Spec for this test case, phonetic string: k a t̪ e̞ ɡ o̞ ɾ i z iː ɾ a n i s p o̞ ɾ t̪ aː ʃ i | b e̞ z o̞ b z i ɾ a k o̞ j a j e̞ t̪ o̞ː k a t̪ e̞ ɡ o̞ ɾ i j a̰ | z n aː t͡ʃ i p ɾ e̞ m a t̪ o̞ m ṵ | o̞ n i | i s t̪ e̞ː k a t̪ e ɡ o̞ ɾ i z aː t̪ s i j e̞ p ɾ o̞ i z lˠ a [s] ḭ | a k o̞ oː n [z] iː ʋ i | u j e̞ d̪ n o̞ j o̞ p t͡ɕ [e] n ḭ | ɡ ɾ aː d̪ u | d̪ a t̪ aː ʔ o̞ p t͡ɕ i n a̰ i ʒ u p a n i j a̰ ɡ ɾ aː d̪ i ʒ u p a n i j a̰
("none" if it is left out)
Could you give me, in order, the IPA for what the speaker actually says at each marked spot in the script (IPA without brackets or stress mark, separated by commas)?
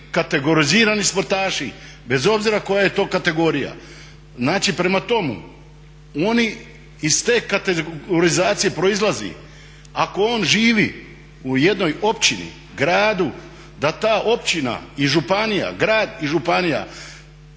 z, ʒ, i